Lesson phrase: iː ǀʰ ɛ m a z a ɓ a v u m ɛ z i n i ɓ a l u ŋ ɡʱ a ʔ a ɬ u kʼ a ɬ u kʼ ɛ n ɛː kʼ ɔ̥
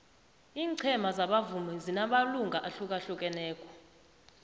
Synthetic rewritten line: iː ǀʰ ɛ m a z a ɓ a v u m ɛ z i n a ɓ a l u ŋ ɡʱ a ʔ a ɬ u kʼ a ɬ u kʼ ɛ n ɛː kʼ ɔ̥